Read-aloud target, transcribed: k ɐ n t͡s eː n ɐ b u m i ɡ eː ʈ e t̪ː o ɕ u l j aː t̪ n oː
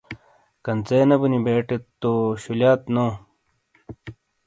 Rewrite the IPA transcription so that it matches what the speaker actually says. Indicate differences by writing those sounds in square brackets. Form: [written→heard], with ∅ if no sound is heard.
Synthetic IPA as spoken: k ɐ n t͡s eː n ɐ b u [m→n] i [ɡ→b] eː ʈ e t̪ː o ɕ u l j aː t̪ n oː